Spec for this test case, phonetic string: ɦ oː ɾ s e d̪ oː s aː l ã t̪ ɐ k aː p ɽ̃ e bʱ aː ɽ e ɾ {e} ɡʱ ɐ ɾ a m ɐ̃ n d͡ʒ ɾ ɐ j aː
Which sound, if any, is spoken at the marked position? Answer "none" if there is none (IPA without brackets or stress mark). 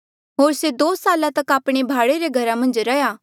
e